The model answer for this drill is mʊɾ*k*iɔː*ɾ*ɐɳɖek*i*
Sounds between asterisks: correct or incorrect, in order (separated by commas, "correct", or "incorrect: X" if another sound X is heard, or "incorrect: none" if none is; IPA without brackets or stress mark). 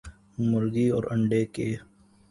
incorrect: ɡ, correct, incorrect: e